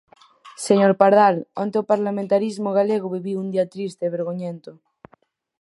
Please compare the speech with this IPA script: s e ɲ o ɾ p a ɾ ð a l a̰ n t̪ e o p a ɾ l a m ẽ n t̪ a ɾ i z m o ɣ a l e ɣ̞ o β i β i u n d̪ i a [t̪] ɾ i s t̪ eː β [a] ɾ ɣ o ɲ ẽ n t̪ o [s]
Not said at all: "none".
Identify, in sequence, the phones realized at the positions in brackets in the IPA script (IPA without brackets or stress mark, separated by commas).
t̪, e, none